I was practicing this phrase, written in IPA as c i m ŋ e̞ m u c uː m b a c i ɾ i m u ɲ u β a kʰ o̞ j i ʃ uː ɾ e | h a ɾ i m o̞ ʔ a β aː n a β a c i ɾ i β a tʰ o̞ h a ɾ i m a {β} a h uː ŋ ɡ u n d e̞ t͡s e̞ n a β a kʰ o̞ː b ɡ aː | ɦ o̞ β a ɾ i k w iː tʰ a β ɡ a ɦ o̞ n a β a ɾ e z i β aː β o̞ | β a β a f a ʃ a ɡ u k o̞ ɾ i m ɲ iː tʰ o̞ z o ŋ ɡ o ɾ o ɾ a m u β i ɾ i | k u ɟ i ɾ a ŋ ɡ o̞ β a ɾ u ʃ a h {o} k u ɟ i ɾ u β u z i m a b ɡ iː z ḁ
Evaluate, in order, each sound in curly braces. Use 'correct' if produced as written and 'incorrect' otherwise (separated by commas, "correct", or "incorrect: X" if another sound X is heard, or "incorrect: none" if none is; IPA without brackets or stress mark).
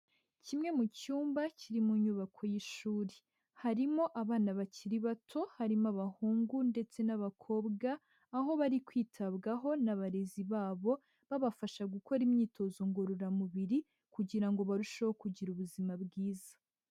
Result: correct, correct